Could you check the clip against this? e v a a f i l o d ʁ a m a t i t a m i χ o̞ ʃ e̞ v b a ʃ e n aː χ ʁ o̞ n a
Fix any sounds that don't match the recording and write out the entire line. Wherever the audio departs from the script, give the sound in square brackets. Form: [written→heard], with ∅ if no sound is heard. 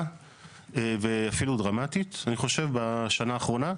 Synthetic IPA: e v [a→e] a f i l [o→u] d ʁ a m a t i t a [m→n] i χ o̞ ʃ e̞ v b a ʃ [e→a] n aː χ ʁ o̞ n a